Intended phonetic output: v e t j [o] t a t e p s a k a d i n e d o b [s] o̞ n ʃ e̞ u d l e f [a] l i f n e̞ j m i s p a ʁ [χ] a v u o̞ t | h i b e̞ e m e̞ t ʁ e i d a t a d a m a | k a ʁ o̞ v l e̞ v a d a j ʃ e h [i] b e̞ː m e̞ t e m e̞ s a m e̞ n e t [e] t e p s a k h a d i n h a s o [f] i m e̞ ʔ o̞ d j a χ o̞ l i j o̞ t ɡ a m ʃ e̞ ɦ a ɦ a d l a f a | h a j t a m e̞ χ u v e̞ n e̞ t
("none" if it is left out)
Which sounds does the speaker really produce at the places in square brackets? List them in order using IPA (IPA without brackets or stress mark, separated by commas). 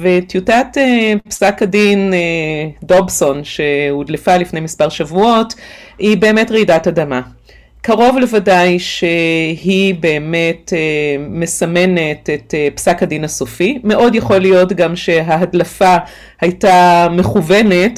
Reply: u, s, a, ʃ, i, e, f